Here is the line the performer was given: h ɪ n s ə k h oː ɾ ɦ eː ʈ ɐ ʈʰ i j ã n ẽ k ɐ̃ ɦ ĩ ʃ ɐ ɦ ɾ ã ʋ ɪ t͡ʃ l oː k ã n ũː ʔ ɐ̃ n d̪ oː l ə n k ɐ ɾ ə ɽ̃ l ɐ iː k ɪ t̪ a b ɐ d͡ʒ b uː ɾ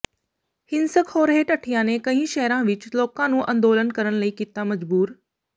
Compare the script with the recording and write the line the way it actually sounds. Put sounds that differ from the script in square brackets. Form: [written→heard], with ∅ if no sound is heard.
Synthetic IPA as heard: h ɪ n s ə k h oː ɾ ɦ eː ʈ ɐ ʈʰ i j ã n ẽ k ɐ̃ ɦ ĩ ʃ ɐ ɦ ɾ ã ʋ ɪ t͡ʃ l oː k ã n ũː ʔ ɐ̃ n d̪ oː l ə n k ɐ ɾ ə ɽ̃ l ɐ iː k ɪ t̪ a [b→m] ɐ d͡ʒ b uː ɾ